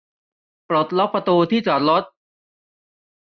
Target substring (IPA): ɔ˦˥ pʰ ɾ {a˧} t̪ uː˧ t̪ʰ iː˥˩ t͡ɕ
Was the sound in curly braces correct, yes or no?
yes